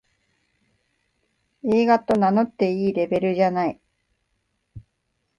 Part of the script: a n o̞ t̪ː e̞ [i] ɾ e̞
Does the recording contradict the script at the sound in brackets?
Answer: yes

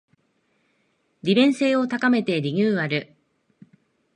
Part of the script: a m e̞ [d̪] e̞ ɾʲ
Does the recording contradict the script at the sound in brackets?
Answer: yes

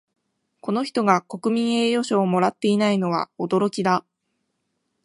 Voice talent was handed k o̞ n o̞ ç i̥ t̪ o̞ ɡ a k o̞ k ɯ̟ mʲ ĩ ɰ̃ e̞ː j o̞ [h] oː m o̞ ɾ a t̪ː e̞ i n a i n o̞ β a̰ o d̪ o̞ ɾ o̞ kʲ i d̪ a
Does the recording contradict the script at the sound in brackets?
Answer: yes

